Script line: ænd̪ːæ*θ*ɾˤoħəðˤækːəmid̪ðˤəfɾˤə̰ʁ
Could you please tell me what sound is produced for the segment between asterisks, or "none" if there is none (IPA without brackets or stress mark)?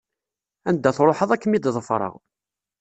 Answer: θ